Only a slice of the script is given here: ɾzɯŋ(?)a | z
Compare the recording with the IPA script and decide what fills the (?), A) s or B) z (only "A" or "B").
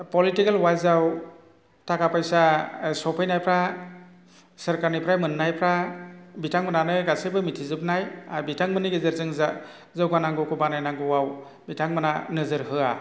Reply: B